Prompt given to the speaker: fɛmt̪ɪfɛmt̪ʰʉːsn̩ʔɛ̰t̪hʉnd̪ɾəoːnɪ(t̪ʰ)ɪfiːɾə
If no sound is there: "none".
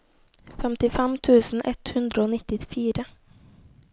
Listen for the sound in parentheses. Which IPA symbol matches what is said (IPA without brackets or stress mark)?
t̪